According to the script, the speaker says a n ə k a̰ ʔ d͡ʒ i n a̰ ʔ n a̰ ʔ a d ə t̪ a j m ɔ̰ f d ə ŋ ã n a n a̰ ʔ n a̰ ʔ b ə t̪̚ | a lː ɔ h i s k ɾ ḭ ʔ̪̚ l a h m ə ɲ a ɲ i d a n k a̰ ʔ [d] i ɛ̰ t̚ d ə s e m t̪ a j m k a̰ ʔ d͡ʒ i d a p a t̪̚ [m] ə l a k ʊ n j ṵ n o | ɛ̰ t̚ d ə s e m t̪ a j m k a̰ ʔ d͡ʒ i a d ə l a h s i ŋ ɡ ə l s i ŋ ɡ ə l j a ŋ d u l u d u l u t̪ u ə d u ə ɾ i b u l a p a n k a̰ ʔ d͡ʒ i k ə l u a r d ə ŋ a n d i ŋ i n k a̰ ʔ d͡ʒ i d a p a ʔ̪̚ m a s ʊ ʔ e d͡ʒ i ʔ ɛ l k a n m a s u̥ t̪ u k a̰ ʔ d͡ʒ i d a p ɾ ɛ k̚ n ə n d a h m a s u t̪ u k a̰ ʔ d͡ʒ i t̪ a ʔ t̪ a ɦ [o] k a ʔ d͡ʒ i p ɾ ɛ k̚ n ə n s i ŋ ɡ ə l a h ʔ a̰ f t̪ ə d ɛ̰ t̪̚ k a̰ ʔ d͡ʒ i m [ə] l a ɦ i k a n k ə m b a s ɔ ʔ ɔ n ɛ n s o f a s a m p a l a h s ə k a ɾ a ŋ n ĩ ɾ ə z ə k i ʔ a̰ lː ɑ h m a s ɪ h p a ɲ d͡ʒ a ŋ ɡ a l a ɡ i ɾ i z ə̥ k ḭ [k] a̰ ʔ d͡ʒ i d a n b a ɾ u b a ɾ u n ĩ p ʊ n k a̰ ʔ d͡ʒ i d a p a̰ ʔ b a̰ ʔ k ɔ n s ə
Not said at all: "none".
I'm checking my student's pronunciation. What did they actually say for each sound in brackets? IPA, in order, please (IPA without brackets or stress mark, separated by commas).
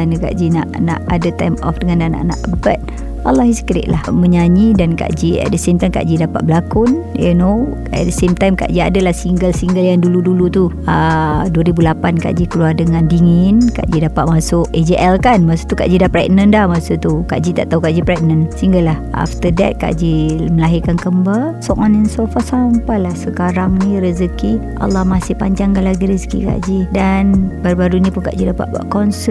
d͡ʒ, b, u, ə, k